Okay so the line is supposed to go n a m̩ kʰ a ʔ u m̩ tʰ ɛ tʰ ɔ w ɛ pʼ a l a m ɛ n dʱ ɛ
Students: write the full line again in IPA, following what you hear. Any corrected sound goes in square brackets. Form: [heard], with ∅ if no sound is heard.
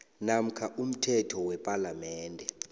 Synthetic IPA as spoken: n a m̩ kʰ a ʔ u m̩ tʰ ɛ tʰ ɔ w ɛ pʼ a l a m [ɛː] n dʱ ɛ

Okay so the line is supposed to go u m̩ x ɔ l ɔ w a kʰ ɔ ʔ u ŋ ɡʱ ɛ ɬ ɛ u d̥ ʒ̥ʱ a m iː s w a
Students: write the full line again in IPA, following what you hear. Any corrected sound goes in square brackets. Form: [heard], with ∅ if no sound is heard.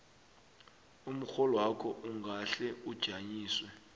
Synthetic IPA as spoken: u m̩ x ɔ l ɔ w a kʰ ɔ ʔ u ŋ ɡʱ [a] ɬ ɛ u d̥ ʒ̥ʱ a [ɲ] iː s w [ɛ]

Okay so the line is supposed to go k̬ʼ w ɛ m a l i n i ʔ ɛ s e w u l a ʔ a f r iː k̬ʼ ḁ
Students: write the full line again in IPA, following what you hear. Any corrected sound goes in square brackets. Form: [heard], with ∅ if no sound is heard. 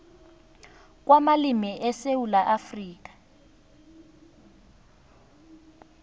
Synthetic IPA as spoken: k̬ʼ w [a] m a l i [m] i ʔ ɛ s e w u l a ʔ a f r iː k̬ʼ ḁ

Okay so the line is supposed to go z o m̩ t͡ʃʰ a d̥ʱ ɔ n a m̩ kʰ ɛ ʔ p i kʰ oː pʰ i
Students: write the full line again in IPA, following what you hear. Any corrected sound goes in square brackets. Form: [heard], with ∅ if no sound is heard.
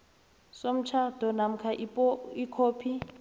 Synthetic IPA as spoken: [s] o m̩ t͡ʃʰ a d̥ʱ ɔ n a m̩ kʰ [a] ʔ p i kʰ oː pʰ i

